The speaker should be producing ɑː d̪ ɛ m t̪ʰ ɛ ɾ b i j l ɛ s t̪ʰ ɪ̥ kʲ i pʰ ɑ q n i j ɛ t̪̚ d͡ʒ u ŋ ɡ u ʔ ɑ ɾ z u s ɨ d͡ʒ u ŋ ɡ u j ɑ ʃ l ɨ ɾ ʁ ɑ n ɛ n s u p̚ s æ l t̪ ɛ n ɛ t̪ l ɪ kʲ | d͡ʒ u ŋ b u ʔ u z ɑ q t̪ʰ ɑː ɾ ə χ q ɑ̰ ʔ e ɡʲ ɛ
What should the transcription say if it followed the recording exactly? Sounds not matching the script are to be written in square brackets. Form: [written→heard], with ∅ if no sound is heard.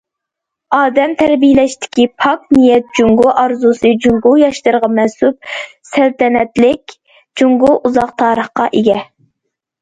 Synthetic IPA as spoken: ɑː d̪ ɛ m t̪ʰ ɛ ɾ b i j l ɛ [s→ʃ] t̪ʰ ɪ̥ kʲ i pʰ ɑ [q→k] n i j ɛ t̪̚ d͡ʒ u ŋ ɡ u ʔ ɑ ɾ z u s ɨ d͡ʒ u ŋ ɡ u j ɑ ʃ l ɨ ɾ ʁ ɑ [n→m] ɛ n s u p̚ s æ l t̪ ɛ n ɛ t̪ l ɪ kʲ | d͡ʒ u ŋ [b→ɡ] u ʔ u z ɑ q t̪ʰ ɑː ɾ ə χ q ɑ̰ ʔ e ɡʲ ɛ